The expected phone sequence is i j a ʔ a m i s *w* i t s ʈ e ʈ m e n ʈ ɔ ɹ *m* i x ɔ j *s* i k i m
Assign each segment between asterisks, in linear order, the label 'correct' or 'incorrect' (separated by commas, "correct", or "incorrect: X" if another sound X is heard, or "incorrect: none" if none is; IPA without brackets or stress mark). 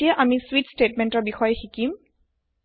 correct, incorrect: b, incorrect: x